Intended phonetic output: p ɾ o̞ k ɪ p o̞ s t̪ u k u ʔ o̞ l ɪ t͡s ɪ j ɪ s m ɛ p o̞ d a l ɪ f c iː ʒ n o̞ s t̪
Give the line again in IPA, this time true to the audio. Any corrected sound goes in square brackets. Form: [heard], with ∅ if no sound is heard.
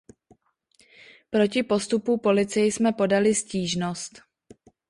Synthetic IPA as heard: p ɾ o̞ [c] ɪ p o̞ s t̪ u [p] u [p] o̞ l ɪ t͡s ɪ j ɪ s m ɛ p o̞ d a l ɪ [s] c iː ʒ n o̞ s t̪